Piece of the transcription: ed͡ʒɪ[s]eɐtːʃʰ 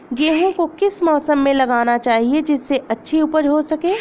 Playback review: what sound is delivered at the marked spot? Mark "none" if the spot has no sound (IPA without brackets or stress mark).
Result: sː